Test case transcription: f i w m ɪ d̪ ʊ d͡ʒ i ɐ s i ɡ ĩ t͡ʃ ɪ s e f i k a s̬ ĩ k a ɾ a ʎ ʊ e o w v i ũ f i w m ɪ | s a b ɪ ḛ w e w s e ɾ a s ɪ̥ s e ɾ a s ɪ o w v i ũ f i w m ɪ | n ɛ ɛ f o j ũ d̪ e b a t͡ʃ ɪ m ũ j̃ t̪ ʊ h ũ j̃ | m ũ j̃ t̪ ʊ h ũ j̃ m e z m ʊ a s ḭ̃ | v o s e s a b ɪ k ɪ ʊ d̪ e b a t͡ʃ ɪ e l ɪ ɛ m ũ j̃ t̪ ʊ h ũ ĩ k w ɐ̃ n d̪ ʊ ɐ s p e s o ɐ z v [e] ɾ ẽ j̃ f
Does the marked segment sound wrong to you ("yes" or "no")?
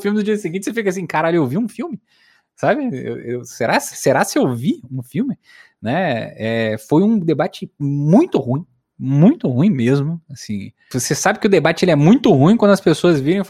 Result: yes